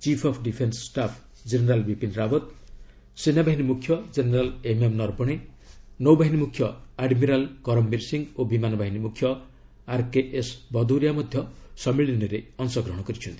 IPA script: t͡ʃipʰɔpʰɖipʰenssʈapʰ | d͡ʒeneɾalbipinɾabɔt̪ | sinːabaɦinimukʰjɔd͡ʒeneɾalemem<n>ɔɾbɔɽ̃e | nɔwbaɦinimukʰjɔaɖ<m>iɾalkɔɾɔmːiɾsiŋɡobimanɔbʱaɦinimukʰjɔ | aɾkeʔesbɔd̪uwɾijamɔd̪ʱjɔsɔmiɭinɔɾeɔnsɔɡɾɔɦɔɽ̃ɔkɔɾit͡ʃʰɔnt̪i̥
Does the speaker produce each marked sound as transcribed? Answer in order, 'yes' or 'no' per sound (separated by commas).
yes, yes